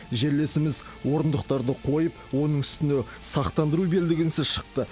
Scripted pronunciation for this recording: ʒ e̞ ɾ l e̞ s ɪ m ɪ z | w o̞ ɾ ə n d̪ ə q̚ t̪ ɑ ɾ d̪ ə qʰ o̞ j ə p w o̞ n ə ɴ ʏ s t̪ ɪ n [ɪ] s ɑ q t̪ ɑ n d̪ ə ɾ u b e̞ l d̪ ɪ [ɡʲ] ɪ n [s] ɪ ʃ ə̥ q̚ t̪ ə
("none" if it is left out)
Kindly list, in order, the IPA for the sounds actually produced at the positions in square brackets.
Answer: ɪ, ɡʲ, s

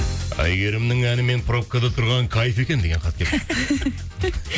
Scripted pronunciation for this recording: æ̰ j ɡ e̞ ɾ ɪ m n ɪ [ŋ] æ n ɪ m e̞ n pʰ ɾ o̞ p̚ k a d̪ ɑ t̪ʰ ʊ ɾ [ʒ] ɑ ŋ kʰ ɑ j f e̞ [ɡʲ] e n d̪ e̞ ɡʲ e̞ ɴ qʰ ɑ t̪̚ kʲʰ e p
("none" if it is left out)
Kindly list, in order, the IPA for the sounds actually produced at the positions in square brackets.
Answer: ŋ, ʁ, kʲ

